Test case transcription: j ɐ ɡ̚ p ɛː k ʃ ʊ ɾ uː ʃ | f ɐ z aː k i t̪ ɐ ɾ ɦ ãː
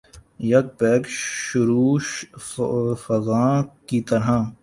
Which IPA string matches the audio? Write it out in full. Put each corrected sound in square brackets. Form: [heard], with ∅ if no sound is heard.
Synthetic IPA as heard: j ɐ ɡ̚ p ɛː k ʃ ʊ ɾ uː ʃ | f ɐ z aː k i t̪ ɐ ɾ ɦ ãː